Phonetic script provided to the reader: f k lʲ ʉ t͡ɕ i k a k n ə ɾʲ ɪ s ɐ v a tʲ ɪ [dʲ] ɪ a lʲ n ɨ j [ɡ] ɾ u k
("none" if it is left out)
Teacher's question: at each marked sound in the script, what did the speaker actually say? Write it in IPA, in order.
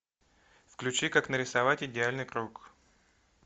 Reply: dʲ, k

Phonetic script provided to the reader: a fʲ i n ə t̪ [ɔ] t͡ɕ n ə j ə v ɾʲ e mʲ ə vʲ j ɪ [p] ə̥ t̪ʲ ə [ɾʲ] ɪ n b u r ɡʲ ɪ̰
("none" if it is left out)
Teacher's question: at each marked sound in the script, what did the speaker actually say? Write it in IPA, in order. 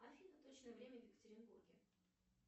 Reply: o, k, ɾʲ

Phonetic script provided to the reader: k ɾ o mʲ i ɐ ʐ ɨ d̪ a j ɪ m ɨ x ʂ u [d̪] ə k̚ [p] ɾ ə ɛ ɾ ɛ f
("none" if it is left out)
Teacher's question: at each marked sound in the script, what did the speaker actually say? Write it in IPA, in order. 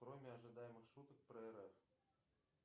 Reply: t̪, p

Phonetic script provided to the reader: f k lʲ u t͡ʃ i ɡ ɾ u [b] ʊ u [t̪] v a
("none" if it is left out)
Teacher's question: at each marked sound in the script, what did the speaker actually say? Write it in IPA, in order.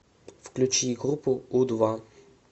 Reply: p, d̪

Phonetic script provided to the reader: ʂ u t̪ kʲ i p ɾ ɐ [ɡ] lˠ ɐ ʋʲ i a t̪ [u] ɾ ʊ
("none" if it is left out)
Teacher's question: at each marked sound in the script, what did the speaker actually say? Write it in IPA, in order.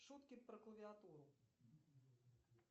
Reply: k, u

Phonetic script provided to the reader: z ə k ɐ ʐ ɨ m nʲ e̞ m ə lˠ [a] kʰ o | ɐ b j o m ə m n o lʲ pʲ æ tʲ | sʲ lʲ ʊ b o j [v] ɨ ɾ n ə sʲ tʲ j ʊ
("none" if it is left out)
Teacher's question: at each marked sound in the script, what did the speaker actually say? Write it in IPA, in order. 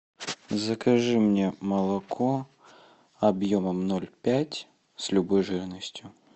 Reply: ɐ, ʐ

